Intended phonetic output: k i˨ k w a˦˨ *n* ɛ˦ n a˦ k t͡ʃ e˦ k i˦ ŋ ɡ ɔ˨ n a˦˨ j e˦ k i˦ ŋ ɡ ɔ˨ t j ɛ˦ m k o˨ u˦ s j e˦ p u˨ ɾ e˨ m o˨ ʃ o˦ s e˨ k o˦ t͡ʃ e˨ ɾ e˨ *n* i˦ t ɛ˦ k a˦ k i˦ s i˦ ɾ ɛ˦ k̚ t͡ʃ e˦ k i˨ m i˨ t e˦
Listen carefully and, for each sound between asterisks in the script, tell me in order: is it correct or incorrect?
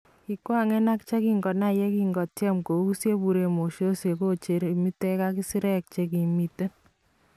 incorrect, incorrect

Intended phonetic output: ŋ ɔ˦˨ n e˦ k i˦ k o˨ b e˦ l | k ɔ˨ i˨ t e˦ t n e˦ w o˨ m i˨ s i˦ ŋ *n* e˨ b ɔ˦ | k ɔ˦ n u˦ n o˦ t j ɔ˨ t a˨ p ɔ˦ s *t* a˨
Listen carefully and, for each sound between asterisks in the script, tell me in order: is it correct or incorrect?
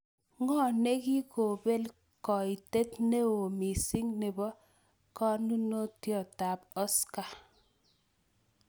correct, incorrect

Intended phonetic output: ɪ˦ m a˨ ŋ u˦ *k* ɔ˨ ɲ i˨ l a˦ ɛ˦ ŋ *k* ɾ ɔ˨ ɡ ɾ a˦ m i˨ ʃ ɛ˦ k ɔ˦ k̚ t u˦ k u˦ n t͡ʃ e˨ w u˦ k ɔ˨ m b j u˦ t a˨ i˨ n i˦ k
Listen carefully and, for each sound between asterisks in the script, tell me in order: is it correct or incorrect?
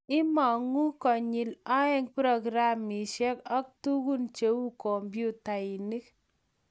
correct, incorrect

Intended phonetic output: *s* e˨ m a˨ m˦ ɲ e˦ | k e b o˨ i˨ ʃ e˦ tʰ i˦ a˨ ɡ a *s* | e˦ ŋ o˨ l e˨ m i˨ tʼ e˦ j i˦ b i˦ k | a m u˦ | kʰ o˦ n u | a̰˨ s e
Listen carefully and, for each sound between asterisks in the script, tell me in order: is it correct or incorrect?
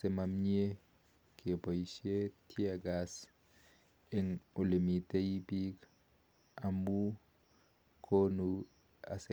correct, correct

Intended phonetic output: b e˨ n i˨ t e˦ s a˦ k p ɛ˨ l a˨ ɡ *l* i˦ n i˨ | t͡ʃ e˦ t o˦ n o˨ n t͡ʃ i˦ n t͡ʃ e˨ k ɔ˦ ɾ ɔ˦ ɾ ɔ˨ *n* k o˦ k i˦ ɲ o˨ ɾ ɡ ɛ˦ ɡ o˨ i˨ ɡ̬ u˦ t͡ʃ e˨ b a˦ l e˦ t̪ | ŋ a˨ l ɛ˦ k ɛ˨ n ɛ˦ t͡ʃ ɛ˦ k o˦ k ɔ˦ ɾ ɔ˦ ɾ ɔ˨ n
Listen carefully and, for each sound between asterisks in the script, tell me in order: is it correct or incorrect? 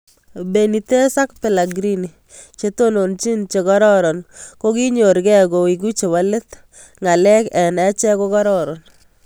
incorrect, correct

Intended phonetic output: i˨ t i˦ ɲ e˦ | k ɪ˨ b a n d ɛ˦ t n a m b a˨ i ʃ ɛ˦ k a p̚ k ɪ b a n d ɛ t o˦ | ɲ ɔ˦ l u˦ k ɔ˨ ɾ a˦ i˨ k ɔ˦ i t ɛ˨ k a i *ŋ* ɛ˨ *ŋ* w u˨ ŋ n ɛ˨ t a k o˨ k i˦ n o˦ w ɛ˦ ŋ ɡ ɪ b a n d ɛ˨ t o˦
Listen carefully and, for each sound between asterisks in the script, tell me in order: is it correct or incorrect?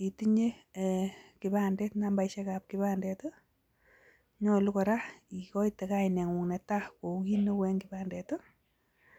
incorrect, correct

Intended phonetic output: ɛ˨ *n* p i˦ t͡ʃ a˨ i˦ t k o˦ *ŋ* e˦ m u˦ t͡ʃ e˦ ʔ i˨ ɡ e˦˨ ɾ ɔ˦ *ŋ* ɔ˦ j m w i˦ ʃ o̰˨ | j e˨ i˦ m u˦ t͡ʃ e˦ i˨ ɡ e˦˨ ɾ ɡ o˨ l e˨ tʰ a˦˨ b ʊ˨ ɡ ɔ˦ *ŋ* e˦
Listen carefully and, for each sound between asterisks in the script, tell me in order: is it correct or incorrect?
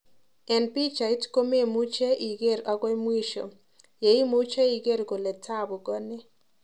correct, incorrect, incorrect, incorrect

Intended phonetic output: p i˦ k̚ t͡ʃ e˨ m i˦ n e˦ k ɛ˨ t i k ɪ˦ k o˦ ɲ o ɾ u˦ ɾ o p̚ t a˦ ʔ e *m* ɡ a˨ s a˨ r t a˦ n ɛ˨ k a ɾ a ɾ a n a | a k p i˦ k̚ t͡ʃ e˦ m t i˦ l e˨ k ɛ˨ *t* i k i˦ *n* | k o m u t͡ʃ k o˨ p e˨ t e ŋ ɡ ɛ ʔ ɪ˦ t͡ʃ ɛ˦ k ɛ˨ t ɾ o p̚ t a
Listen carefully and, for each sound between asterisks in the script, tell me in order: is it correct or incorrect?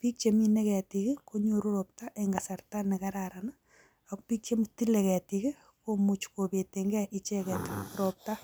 incorrect, correct, incorrect

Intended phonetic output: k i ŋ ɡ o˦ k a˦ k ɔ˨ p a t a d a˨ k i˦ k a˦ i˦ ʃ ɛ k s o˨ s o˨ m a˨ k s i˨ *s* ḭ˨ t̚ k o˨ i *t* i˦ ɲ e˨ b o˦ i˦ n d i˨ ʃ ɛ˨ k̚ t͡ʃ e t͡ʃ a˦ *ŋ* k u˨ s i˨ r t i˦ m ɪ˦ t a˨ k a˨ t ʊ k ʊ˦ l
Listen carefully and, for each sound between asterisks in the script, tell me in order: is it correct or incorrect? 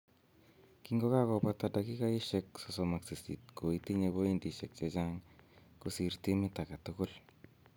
correct, correct, correct

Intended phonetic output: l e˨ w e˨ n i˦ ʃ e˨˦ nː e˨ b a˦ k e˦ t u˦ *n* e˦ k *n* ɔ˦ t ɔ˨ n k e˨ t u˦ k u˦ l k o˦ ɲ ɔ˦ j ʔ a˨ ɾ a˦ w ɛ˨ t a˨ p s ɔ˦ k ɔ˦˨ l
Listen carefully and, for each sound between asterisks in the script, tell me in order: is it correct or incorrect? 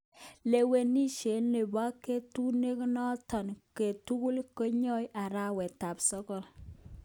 correct, correct

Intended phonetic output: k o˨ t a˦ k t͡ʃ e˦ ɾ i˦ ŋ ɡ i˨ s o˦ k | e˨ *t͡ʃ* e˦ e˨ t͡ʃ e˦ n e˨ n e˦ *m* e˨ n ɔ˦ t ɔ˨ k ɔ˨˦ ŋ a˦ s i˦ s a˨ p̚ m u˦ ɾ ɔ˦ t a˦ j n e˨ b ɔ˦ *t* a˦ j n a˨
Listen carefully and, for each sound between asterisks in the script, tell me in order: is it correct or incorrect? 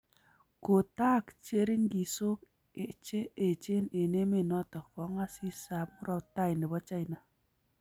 correct, correct, incorrect

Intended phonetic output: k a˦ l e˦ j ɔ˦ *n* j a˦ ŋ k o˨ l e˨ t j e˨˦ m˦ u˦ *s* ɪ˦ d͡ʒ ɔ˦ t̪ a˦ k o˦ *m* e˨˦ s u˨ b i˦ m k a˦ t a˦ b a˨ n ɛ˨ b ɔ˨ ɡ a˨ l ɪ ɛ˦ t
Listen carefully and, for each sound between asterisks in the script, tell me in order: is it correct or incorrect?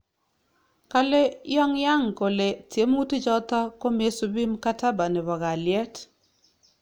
incorrect, incorrect, correct

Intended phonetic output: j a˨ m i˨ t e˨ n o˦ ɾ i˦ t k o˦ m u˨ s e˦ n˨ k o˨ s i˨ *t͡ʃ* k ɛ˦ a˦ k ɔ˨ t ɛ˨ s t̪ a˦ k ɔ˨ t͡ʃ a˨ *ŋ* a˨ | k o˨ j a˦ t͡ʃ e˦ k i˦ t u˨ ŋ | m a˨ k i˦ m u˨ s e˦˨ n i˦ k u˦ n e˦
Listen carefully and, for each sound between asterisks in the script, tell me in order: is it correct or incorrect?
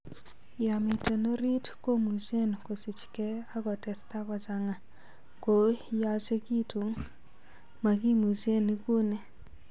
correct, correct

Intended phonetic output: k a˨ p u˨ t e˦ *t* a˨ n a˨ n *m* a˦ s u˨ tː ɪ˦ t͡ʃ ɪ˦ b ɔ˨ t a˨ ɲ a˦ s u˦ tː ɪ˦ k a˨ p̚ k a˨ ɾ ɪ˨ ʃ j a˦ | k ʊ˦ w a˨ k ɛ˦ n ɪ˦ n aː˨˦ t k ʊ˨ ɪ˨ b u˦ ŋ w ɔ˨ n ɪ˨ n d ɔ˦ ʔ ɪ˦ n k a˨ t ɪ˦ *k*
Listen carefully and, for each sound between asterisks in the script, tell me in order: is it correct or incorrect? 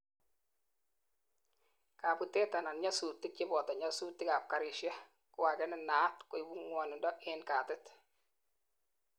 correct, incorrect, incorrect

